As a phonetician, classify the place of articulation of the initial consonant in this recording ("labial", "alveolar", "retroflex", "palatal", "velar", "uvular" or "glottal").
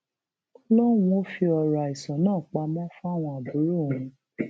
alveolar